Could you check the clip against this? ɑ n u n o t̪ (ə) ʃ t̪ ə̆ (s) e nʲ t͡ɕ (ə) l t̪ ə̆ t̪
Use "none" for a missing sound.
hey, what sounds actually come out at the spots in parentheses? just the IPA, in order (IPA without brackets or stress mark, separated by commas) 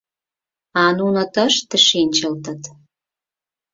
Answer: ə, ʃ, ə